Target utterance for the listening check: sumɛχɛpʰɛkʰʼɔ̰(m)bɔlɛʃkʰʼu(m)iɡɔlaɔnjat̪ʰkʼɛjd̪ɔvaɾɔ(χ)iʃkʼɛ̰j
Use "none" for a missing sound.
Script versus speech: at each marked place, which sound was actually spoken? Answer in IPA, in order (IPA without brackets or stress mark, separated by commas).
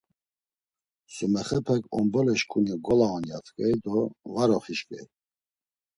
m, n, χ